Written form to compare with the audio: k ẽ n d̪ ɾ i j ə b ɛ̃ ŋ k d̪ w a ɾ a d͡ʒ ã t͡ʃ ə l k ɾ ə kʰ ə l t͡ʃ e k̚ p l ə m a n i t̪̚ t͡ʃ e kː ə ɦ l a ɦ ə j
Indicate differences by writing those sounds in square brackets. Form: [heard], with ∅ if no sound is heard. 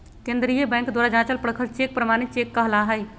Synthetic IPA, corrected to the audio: k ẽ n d̪ ɾ i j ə b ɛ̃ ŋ k d̪ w a ɾ a d͡ʒ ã t͡ʃ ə l [p] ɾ ə kʰ ə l t͡ʃ e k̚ p [ɾ] ə m a n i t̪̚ t͡ʃ e kː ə ɦ l a ɦ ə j